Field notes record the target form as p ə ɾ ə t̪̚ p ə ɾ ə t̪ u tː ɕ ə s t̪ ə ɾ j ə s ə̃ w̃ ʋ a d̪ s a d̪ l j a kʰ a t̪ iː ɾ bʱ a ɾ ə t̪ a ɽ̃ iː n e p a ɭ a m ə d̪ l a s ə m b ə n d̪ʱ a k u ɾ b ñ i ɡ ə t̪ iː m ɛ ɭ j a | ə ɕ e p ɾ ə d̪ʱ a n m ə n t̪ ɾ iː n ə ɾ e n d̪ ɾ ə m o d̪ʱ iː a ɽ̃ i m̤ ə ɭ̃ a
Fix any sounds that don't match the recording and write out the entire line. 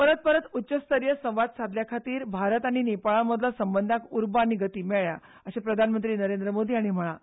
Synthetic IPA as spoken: p ə ɾ ə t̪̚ p ə ɾ ə t̪ u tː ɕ ə s t̪ ə ɾ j ə s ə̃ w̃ ʋ a d̪ s a d̪ l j a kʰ a t̪ iː ɾ bʱ a ɾ ə t̪ a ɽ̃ i n e p a ɭ a m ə d̪ l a s ə m b ə n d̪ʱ a k u ɾ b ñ i ɡ ə t̪ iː m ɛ ɭ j a | ə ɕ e p ɾ ə d̪ʱ a n m ə n t̪ ɾ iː n ə ɾ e n d̪ ɾ ə m o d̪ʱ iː a ɽ̃ i m̤ ə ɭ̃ a